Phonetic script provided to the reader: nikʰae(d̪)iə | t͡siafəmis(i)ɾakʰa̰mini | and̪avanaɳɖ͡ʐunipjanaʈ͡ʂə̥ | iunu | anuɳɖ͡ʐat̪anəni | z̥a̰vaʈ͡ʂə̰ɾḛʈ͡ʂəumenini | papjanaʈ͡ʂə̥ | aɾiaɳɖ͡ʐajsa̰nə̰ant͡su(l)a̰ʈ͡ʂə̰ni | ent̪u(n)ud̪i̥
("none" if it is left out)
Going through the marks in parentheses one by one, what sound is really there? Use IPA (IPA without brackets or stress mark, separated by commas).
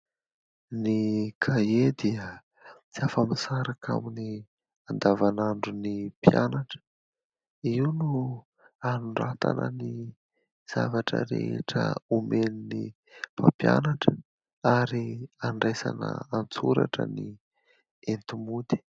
d̪, a, ɾ, m